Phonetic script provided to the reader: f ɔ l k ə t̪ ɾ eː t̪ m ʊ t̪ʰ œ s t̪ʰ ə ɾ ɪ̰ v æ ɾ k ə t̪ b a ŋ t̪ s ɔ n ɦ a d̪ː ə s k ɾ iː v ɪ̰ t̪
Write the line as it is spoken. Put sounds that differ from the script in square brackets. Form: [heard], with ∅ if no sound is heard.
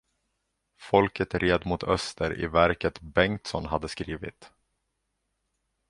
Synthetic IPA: f ɔ l k ə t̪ ɾ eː [d̪] m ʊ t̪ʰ œ s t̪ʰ ə ɾ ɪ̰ v æ ɾ k ə t̪ b [ɛ] ŋ t̪ s ɔ n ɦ a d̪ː ə s k ɾ iː v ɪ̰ t̪